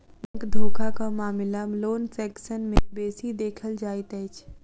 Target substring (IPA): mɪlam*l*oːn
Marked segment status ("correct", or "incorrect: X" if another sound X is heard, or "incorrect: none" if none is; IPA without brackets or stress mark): correct